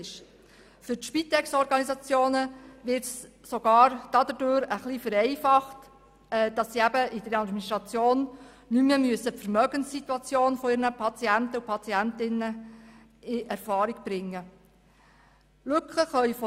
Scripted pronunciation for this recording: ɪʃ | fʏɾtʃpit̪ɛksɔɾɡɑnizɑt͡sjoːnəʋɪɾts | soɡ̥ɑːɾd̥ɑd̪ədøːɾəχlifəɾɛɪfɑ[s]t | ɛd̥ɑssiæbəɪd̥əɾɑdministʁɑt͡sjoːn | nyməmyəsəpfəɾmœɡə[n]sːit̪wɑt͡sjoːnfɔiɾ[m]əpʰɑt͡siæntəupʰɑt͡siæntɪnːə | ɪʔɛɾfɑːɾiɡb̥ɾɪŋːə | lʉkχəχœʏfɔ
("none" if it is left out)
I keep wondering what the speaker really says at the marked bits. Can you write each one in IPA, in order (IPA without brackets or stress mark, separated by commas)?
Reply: χ, n, n